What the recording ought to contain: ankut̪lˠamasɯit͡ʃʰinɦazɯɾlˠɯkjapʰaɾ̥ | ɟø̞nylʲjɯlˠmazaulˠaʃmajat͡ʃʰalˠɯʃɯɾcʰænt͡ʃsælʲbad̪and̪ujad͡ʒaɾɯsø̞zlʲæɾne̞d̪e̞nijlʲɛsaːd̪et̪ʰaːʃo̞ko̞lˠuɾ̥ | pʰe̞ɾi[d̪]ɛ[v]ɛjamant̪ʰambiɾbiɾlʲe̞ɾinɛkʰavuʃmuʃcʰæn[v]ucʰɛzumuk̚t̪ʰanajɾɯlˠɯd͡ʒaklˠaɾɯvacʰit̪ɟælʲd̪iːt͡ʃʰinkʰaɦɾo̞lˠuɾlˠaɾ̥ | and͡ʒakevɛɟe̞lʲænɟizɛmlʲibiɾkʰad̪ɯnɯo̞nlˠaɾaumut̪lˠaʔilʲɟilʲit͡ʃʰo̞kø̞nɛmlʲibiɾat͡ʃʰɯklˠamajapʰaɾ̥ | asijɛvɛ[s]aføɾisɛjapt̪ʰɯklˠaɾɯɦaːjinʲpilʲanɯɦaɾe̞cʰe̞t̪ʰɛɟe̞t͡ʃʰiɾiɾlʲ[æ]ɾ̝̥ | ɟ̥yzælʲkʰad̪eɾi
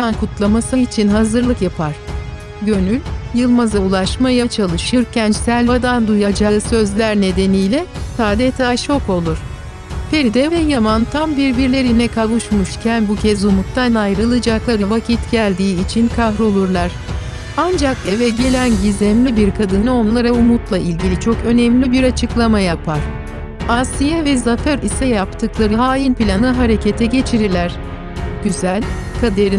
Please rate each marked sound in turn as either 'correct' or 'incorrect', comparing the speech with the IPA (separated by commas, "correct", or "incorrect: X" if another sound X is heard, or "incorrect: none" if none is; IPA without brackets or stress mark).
correct, correct, incorrect: b, incorrect: z, correct